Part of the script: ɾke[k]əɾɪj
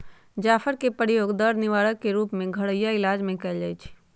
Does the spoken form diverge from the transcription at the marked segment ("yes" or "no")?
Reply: yes